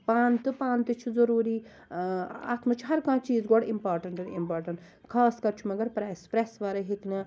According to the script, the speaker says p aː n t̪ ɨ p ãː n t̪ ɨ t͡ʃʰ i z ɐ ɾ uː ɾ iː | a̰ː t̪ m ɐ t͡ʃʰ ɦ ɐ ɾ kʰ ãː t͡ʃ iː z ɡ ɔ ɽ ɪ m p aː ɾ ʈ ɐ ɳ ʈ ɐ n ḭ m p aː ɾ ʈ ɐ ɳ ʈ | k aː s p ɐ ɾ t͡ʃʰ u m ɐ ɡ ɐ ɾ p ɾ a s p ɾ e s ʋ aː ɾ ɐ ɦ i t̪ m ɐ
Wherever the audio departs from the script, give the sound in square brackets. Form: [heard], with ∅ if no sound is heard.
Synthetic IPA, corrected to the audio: p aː n t̪ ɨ p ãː n t̪ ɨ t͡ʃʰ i z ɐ ɾ uː ɾ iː | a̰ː t̪ m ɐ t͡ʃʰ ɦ ɐ ɾ [k] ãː t͡ʃ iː z ɡ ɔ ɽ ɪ m p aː ɾ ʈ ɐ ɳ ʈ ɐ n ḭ m p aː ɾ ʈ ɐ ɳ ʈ | [kʰ] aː s [k] ɐ ɾ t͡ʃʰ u m ɐ ɡ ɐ ɾ p ɾ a s p ɾ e s ʋ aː ɾ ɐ ɦ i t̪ [n] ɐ